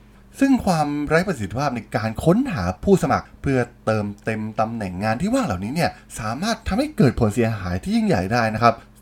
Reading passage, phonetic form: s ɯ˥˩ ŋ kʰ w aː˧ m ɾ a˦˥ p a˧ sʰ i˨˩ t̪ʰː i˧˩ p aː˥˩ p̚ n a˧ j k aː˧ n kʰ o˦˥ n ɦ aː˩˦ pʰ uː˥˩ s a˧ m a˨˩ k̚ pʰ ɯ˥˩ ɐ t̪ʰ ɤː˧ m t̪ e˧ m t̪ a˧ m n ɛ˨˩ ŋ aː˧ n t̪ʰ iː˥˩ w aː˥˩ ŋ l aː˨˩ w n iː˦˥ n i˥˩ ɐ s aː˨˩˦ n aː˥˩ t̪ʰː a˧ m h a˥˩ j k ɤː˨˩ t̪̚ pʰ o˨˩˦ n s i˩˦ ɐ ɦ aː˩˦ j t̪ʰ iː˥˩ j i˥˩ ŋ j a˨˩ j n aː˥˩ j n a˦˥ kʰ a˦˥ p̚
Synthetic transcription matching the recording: s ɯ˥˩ ŋ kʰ w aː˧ m ɾ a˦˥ p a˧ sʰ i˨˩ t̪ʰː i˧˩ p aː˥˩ p̚ n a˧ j k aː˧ n kʰ o˦˥ n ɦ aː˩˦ pʰ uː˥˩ s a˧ m a˨˩ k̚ pʰ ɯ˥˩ ɐ t̪ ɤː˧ m t̪ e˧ m t̪ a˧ m n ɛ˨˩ ŋː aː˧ n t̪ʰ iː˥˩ w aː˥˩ ŋ l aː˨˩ w n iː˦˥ n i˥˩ ɐ s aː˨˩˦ m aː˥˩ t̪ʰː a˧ m h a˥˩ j k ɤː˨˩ t̪̚ pʰ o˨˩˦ n s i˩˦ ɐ ɦ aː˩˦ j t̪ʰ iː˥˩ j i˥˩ ŋ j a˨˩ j d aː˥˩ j n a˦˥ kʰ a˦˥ p̚